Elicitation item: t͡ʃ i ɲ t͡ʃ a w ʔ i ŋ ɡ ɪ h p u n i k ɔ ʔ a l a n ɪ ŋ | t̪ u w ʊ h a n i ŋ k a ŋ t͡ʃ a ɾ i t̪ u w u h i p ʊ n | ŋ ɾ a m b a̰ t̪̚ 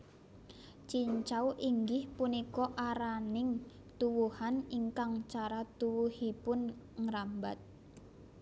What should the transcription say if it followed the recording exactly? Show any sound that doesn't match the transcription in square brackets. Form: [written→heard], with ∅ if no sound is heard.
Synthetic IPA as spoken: t͡ʃ i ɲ t͡ʃ a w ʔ i ŋ ɡ ɪ h p u n i k ɔ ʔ a [l→ɾ] a n ɪ ŋ | t̪ u w [ʊ→u] h a n i ŋ k a ŋ t͡ʃ a ɾ [i→a] t̪ u w u h i p ʊ n | ŋ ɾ a m b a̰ t̪̚

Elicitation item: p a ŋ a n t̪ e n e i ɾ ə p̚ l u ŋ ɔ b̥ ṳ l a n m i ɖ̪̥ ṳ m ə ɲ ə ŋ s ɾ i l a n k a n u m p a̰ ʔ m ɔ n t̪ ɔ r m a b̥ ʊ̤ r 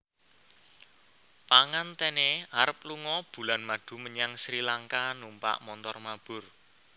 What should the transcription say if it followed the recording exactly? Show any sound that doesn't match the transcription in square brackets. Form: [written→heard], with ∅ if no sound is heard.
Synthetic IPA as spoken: p a ŋ a n t̪ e n e [i→a] ɾ ə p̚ l u ŋ ɔ b̥ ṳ l a n m [i→a] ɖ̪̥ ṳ m ə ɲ [ə→a] ŋ s ɾ i l a [n→ŋ] k a n u m p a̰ ʔ m ɔ n t̪ ɔ r m a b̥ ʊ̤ r

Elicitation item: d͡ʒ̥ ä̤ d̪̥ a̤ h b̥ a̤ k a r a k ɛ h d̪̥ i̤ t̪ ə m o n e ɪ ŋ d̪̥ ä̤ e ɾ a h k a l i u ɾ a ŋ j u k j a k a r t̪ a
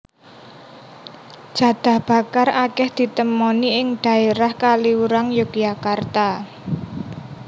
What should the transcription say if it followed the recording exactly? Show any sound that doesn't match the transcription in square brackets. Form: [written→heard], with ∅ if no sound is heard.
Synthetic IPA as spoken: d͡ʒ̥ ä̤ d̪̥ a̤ h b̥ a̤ k a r a k ɛ h d̪̥ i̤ t̪ ə m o n [e→i] ɪ ŋ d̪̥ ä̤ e ɾ a h k a l i u ɾ a ŋ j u k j a k a r t̪ a

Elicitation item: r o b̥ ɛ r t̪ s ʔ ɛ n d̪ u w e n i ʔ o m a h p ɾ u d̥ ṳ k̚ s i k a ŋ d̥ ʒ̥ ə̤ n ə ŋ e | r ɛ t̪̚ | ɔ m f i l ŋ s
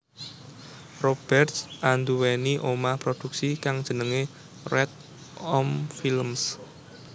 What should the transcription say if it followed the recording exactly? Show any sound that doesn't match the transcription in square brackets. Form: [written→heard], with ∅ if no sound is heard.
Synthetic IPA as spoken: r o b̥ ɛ r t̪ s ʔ [ɛ→a] n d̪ u w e n i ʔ o m a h p ɾ [u→o] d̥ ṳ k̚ s i k a ŋ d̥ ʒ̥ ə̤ n ə ŋ e | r ɛ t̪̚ | ɔ m f i l [ŋ→m] s

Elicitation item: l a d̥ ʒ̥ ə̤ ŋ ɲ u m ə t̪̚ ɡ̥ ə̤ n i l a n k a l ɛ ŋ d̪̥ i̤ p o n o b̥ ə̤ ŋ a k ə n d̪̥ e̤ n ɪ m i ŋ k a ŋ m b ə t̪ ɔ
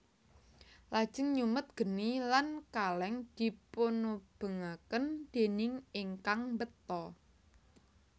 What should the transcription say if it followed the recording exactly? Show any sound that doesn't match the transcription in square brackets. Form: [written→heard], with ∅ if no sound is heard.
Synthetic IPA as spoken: l a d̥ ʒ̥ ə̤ ŋ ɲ u m ə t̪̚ ɡ̥ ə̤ n i l a n k a l ɛ ŋ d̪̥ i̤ p o n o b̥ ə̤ ŋ a k ə n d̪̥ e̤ n ɪ [m→ŋ] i ŋ k a ŋ m b ə t̪ ɔ

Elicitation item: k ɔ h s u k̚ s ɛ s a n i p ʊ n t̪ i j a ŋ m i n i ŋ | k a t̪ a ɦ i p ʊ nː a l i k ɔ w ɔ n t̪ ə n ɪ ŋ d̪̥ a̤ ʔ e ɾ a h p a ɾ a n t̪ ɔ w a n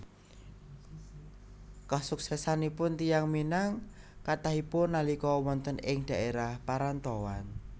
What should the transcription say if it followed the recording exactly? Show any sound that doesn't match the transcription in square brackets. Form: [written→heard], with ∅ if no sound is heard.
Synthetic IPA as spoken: k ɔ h s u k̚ s ɛ s a n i p ʊ n t̪ i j a ŋ m i n [i→a] ŋ | k a t̪ a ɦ i p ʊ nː a l i k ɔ w ɔ n t̪ ə n ɪ ŋ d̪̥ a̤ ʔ e ɾ a h p a ɾ a n t̪ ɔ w a n

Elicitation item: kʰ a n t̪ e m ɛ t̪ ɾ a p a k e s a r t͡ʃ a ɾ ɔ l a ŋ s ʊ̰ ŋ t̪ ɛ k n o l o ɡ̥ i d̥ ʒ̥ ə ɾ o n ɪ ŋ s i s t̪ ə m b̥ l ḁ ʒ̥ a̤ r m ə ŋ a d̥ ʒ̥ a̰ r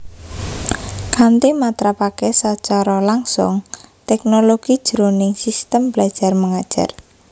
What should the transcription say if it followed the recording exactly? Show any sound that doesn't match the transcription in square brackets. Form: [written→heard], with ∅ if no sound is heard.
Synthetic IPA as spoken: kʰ a n t̪ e m [ɛ→a] t̪ ɾ a p a k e s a [r→∅] t͡ʃ a ɾ ɔ l a ŋ s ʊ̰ ŋ t̪ ɛ k n o l o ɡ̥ i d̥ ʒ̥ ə ɾ o n ɪ ŋ s i s t̪ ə m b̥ l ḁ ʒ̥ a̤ r m ə ŋ a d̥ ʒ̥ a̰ r

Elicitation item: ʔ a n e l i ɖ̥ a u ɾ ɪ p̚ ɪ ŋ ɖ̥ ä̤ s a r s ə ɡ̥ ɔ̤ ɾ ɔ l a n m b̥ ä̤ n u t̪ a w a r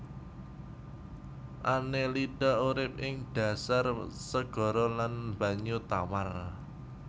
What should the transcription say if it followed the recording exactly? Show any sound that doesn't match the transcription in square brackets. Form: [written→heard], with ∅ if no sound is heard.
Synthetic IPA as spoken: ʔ a n e l i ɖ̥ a u ɾ ɪ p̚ ɪ ŋ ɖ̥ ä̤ s a r s ə ɡ̥ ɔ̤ ɾ ɔ l a n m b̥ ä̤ [n→ɲ] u t̪ a w a r

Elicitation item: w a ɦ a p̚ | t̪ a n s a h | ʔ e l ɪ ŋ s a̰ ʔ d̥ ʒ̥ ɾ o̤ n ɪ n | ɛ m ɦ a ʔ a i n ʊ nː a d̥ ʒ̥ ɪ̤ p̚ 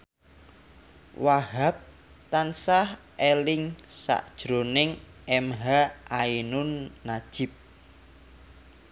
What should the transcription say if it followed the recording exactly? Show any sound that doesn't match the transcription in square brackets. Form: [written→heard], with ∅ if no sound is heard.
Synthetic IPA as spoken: w a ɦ a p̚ | t̪ a n s a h | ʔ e l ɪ ŋ s a̰ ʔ d̥ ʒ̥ ɾ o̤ n ɪ [n→ŋ] | ɛ m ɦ a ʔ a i n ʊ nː a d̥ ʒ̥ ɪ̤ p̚

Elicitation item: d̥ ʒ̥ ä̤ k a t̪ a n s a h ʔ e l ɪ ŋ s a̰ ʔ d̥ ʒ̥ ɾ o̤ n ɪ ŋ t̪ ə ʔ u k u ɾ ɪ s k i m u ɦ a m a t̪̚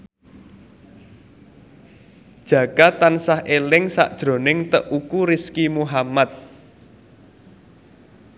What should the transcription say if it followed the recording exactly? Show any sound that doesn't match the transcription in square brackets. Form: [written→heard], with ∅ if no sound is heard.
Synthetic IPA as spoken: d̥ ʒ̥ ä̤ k a t̪ a n s a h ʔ e l ɪ ŋ s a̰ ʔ d̥ ʒ̥ ɾ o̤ n ɪ ŋ t̪ ə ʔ u k u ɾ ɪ s k i m u ɦ a m a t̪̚

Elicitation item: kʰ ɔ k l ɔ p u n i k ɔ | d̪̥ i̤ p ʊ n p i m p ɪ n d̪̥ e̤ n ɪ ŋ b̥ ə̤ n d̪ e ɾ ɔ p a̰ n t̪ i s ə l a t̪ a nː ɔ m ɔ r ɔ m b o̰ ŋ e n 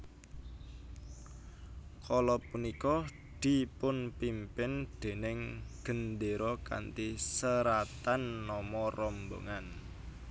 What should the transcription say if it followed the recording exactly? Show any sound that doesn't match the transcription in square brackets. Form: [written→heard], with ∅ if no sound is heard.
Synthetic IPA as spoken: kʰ ɔ [k→∅] l ɔ p u n i k ɔ | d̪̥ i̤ p ʊ n p i m p ɪ n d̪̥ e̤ n ɪ ŋ [b̥→ɡ̥] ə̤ n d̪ e ɾ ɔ [p→k] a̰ n t̪ i s ə [l→ɾ] a t̪ a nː ɔ m ɔ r ɔ m b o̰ ŋ [e→a] n

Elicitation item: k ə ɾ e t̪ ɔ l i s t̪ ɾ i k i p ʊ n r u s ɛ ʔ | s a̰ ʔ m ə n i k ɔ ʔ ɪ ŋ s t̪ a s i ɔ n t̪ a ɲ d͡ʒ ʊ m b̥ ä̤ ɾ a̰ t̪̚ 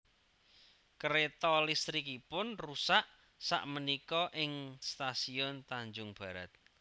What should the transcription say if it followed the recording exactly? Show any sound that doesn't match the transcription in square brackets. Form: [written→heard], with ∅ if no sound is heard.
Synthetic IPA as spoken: k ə ɾ e t̪ ɔ l i s t̪ ɾ i k i p ʊ n r u s [ɛ→a] ʔ | s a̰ ʔ m ə n i k ɔ ʔ ɪ ŋ s t̪ a s i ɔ n t̪ a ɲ d͡ʒ ʊ [m→ŋ] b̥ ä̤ ɾ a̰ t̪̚

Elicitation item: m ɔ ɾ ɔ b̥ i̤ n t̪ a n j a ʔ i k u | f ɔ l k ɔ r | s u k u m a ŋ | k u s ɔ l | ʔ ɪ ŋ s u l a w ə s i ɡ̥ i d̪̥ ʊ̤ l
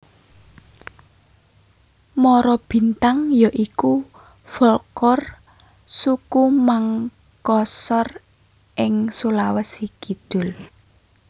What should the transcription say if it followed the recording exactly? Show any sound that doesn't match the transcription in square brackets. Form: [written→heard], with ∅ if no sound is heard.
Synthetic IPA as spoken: m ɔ ɾ ɔ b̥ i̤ n t̪ a [n→ŋ] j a ʔ i k u | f ɔ l k ɔ r | s u k u m a ŋ | k [u→ɔ] s ɔ [l→r] | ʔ ɪ ŋ s u l a w ə s i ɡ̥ i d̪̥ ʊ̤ l

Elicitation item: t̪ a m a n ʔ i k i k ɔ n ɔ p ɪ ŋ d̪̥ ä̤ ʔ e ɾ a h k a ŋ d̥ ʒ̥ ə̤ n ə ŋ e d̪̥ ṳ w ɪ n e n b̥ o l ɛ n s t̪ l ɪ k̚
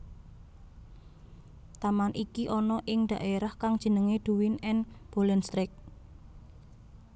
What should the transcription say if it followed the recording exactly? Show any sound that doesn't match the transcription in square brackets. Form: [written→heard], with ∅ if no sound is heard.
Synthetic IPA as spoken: t̪ a m a n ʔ i k i [k→ʔ] ɔ n ɔ [p→ʔ] ɪ ŋ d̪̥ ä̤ ʔ e ɾ a h k a ŋ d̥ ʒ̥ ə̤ n ə ŋ e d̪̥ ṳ w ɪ n [e→ɛ] n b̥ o l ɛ n s t̪ [l→ɾ] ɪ k̚

